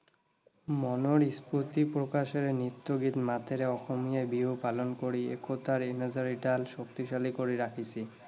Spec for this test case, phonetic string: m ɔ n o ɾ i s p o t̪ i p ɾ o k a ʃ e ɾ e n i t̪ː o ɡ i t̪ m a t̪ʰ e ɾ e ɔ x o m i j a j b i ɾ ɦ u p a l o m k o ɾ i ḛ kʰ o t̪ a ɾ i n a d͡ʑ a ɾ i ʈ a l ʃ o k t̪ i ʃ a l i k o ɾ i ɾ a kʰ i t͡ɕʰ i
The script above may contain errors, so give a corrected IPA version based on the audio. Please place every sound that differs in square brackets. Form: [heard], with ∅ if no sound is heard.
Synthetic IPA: m ɔ n o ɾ i s p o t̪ i p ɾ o k a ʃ e ɾ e n i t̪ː o ɡ i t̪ m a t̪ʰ e ɾ e ɔ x o m i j a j b i [∅] ɦ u p a l o [n] k o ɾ i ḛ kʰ o t̪ a ɾ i n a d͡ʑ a ɾ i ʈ a l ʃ o k t̪ i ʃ a l i k o ɾ i ɾ a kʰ i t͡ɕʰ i